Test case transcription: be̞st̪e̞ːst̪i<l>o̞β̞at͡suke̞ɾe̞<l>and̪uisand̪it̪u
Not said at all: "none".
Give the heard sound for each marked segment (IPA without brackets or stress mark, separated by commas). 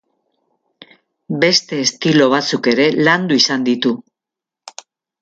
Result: l, l